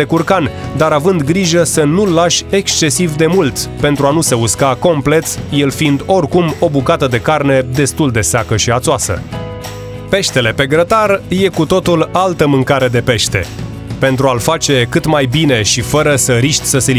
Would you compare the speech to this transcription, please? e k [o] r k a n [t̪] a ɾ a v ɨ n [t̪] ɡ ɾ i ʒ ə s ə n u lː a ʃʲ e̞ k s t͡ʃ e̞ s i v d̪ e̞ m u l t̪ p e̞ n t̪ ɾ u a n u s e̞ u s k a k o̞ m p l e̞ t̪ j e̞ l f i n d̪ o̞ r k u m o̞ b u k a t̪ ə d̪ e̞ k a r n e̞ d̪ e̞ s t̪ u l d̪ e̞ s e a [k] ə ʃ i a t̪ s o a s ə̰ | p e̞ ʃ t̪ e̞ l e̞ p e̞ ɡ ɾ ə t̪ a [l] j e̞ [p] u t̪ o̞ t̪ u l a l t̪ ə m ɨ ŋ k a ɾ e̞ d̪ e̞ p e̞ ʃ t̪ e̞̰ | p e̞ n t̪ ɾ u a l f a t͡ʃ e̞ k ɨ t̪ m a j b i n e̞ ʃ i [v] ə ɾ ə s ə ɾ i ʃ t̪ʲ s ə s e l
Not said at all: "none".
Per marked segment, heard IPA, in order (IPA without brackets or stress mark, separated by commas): u, d̪, d̪, k, r, k, f